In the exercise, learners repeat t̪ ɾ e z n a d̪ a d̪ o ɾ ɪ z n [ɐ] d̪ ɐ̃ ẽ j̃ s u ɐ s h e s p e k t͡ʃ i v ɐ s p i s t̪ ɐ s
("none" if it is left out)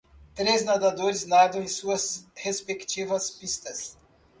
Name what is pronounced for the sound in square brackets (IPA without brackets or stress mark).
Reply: a